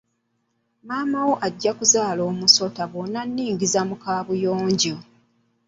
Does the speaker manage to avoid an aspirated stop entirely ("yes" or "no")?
yes